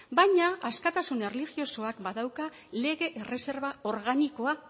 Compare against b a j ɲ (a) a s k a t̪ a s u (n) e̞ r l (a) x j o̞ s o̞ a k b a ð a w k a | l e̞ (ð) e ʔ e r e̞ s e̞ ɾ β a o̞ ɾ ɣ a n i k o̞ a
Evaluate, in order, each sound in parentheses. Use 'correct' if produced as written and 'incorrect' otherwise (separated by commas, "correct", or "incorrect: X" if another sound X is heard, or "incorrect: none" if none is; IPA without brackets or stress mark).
correct, correct, incorrect: i, incorrect: ɣ